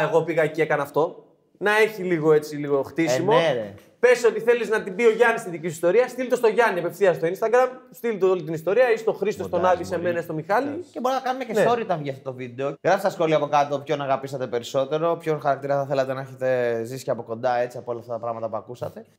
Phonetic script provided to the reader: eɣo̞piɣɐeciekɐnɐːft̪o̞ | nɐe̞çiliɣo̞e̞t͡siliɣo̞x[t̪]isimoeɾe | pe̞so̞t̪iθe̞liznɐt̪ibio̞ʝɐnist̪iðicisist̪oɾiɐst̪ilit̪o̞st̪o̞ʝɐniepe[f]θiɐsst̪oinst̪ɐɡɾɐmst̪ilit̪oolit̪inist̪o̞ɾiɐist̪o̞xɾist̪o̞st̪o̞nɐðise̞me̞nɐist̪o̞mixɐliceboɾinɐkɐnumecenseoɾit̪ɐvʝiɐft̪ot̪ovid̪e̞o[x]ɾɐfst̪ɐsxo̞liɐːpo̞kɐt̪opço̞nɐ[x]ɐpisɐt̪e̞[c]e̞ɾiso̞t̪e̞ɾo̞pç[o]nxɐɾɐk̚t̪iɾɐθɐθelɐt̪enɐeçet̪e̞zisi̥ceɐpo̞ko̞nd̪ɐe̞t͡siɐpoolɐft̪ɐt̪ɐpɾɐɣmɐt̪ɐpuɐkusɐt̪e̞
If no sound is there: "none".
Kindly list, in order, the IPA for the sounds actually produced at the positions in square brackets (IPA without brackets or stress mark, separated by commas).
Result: t̪, f, ɣ, ɣ, p, o